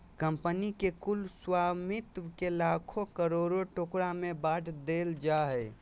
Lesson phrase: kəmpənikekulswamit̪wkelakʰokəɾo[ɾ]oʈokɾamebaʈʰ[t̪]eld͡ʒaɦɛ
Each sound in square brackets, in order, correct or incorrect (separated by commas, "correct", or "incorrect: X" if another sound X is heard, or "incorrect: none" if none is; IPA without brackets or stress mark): correct, incorrect: d̪